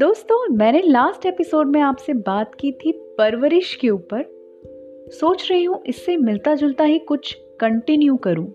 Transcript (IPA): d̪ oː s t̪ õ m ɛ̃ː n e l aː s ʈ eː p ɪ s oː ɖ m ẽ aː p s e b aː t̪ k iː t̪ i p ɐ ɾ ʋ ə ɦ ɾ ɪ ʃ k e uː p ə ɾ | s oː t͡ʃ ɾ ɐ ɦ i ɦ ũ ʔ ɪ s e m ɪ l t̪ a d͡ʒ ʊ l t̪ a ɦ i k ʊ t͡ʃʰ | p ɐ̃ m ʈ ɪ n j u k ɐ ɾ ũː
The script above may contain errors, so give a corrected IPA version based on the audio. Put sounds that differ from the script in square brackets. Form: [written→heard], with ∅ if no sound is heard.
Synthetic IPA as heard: d̪ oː s t̪ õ m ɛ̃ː n e l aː s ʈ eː p ɪ s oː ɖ m ẽ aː p s e b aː t̪ k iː [t̪→t̪ʰ] i p ɐ ɾ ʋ ə [ɦ→∅] ɾ ɪ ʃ k e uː p ə ɾ | s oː t͡ʃ ɾ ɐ ɦ i ɦ ũ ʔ ɪ [s→sː] e m ɪ l t̪ a d͡ʒ ʊ l t̪ a ɦ i k ʊ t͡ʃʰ | [p→k] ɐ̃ [m→ɳ] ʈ ɪ n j u k ɐ ɾ ũː